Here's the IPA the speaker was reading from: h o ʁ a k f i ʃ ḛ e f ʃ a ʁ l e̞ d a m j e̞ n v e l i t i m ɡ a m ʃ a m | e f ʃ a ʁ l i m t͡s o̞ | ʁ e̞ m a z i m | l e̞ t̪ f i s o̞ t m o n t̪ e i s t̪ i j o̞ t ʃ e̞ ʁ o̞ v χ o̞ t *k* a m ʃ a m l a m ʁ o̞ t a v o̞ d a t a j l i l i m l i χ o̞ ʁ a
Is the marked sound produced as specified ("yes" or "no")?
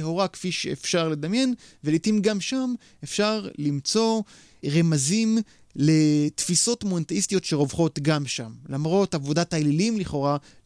no